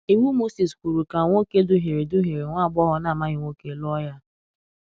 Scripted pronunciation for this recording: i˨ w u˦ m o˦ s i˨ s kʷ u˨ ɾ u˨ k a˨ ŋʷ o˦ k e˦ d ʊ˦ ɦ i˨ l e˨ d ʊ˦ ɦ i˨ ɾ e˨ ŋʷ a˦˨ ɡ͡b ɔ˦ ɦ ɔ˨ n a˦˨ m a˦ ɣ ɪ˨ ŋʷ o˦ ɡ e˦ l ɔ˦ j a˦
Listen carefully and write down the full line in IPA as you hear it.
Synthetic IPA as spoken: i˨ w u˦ m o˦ s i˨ s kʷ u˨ ɾ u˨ k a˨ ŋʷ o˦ k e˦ d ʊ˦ ɦ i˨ ɾ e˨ d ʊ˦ ɦ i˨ ɾ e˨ ŋʷ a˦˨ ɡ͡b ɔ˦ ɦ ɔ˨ n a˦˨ m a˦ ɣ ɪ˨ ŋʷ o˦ k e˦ l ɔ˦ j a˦